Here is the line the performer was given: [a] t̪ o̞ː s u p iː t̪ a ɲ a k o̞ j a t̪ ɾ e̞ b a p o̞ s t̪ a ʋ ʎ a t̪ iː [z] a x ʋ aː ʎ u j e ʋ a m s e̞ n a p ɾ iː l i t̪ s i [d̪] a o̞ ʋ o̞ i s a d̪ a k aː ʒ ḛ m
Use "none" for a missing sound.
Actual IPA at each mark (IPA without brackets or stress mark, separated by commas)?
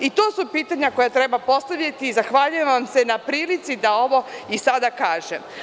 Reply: i, z, d̪